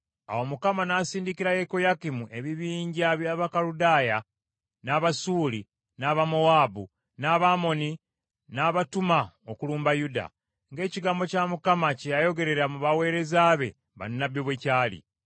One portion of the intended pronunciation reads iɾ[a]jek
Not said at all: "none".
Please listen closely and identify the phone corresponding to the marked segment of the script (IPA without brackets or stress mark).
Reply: a